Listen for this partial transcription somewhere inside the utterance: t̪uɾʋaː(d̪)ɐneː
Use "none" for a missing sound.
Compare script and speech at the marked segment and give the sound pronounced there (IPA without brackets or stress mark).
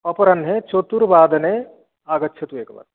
d̪